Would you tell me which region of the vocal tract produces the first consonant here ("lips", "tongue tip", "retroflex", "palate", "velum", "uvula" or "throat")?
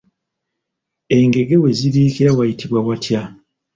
velum